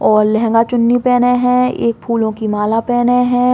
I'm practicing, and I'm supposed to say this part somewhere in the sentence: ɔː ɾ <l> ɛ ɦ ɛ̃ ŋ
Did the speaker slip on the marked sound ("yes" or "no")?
no